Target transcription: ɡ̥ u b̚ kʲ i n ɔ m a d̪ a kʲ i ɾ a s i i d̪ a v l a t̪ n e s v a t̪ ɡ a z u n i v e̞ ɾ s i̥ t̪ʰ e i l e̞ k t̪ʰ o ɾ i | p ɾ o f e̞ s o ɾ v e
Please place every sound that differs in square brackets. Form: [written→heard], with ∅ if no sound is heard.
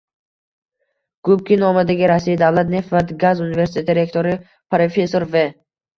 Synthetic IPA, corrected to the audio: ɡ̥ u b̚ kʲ i n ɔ m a d̪ a [kʲ→ɡʲ] i ɾ a s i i d̪ a v l a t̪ n e [s→f] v a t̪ ɡ a z u n i v e̞ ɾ s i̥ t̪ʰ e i [l→ɾ] e̞ k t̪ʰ o ɾ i | p ɾ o f e̞ s o ɾ v e